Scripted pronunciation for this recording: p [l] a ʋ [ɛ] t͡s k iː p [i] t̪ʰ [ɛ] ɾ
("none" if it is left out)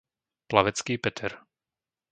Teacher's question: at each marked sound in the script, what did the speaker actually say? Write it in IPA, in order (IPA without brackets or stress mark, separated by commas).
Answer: l, ɛ, ɛ, ɛ